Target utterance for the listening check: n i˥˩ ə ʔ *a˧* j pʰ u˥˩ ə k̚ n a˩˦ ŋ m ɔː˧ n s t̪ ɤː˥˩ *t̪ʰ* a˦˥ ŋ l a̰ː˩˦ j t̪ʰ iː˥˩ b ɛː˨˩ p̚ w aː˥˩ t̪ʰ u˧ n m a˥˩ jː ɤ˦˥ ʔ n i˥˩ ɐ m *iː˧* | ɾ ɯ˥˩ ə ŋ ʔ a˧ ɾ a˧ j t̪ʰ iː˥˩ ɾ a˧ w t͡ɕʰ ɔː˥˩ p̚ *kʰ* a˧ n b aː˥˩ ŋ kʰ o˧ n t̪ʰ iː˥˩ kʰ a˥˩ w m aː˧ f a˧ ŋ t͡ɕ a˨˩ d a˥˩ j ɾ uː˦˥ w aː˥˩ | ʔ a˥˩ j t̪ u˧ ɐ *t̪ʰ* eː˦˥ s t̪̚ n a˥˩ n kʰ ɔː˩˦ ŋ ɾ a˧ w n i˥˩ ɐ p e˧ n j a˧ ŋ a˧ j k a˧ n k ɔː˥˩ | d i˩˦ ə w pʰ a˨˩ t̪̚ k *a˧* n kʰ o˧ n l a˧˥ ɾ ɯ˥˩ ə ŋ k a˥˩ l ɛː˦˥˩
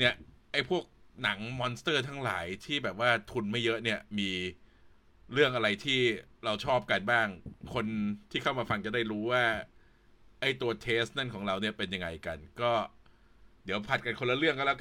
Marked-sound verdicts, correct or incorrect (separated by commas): incorrect, correct, correct, incorrect, correct, correct